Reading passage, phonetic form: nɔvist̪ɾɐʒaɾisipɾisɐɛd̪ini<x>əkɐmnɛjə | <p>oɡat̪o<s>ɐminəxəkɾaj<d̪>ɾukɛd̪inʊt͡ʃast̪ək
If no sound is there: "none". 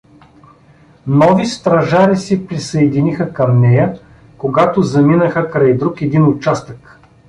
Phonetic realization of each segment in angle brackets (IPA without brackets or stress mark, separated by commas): x, k, z, d̪